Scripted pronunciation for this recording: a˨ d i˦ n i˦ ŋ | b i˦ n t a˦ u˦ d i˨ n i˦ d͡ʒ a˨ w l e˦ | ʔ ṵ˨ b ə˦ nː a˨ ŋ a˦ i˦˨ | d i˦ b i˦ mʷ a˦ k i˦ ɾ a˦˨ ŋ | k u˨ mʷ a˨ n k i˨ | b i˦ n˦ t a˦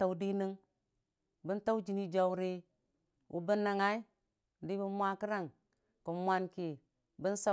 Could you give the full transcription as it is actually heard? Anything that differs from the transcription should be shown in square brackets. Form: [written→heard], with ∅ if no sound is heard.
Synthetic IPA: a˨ d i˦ n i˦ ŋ | b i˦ n t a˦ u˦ [d→d͡ʒ] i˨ n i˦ d͡ʒ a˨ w [l→ɾ] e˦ | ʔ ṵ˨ b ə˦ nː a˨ ŋ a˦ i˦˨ | d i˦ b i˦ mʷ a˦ k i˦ ɾ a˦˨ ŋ | k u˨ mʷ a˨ n k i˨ | b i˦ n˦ [t→s] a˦